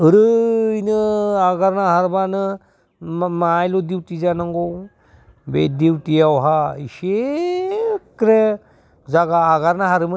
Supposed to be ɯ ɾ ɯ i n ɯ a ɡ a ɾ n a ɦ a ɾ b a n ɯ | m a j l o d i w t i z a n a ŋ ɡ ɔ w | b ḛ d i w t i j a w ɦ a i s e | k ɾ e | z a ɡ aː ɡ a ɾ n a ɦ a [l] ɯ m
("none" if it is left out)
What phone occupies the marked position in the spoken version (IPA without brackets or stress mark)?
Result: ɾ